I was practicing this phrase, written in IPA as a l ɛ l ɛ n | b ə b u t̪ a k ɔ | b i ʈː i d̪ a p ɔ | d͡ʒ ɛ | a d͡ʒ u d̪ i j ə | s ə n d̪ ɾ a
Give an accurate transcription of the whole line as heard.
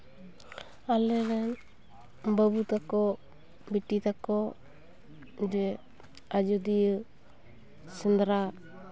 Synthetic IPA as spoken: a l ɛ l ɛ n | b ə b u t̪ a k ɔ | b i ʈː i t̪ a k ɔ | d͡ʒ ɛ | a d͡ʒ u d̪ i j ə | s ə n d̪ ɾ a